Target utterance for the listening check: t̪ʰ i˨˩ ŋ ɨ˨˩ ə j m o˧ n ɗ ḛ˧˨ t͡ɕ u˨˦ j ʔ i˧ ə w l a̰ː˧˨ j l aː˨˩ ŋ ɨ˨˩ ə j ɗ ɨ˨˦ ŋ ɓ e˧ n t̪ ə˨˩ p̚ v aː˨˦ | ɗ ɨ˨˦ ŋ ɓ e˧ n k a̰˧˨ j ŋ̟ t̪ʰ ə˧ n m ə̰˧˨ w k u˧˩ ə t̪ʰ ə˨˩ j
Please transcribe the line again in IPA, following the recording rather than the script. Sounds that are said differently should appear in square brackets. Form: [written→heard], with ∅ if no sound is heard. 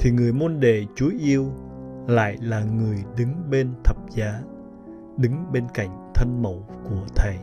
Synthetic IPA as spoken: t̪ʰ i˨˩ ŋ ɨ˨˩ ə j m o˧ n ɗ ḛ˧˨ t͡ɕ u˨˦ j ʔ i˧ ə w l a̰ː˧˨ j l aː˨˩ ŋ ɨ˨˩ ə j ɗ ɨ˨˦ ŋ ɓ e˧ n [t̪→t̪ʰ] ə˨˩ p̚ [v→z] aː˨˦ | ɗ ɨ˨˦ ŋ ɓ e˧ n k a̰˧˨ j ŋ̟ t̪ʰ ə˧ n m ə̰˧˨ w k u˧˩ ə t̪ʰ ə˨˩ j